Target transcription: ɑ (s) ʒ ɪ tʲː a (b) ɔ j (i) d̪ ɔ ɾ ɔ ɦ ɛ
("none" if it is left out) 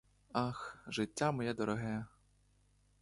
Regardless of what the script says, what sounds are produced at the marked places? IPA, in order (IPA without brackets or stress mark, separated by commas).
x, m, ɛ